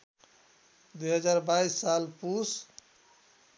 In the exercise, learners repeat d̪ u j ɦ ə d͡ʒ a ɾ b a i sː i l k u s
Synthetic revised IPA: d̪ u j ɦ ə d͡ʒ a ɾ b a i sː a l p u s